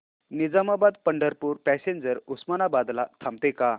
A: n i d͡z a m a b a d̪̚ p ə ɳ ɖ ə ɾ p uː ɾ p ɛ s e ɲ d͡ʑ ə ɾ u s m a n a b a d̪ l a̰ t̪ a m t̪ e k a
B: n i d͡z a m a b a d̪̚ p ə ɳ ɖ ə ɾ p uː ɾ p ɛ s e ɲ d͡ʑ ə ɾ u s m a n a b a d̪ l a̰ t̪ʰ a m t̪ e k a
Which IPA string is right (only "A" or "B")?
B